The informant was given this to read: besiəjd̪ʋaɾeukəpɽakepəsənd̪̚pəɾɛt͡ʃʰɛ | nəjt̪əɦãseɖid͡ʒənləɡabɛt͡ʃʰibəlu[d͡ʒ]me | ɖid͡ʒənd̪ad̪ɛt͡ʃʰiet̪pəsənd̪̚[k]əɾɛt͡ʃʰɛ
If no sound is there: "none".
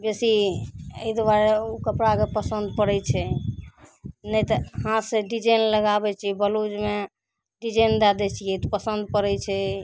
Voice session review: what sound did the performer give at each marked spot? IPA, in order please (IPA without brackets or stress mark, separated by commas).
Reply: d͡ʒ, p